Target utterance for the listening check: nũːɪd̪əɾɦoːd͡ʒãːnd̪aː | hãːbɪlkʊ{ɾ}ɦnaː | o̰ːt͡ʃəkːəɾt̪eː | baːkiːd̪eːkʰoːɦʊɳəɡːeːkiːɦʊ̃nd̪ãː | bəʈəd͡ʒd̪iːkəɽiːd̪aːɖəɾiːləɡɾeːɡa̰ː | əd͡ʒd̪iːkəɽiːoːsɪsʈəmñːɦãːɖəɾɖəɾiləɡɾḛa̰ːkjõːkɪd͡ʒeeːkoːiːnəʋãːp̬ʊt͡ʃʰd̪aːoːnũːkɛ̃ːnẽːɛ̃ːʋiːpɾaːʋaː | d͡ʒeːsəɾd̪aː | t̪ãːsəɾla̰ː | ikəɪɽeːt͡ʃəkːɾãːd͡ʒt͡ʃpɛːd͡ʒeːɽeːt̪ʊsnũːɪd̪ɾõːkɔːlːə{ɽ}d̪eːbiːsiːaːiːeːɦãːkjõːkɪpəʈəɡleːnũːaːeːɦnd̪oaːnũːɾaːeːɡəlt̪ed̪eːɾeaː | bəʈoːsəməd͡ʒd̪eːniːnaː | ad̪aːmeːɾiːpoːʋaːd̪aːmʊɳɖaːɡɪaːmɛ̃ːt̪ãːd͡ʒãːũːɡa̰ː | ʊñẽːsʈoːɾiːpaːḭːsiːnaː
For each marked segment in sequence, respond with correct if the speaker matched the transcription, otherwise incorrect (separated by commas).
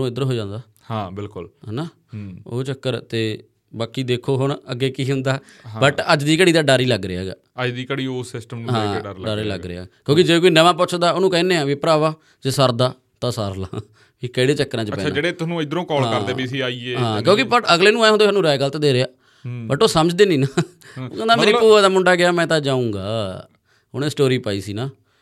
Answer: incorrect, incorrect